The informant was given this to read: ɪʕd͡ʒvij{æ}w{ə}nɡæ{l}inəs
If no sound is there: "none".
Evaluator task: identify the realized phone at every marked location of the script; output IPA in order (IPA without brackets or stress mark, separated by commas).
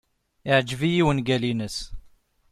i, ə, l